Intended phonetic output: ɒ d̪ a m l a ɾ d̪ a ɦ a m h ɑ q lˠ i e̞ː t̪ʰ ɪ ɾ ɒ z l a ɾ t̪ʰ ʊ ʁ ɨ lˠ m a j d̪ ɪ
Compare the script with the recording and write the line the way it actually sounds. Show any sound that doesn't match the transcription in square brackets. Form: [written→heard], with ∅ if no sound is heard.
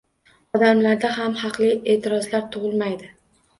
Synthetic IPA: ɒ d̪ a m l a ɾ d̪ a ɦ a m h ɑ q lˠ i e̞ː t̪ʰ ɪ ɾ ɒ z l a ɾ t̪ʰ ʊ ʁ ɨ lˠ m a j d̪ ɪ